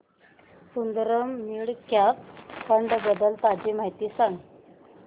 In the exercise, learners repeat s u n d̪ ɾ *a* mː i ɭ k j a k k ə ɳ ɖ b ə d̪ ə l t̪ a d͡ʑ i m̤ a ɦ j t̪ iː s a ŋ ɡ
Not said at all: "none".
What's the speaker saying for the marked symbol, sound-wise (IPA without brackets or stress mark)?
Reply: ə